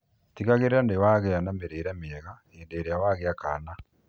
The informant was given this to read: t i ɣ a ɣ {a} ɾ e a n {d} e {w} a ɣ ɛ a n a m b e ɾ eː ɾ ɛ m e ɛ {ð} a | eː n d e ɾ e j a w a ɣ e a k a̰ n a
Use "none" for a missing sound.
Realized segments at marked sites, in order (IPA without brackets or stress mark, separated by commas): e, d, w, ɣ